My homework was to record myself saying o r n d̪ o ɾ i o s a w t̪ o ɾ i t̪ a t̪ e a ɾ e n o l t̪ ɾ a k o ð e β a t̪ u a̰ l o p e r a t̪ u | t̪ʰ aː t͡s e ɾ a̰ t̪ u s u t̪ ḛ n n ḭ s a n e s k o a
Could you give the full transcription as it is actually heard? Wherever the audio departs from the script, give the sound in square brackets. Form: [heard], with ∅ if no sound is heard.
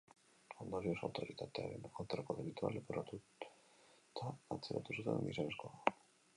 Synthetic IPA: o [∅] n d̪ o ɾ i o s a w t̪ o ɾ i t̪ a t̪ e a ɾ e n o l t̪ ɾ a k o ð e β [i] t̪ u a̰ l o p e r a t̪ u | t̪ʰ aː t͡s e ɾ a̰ t̪ u s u t̪ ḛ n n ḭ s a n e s k o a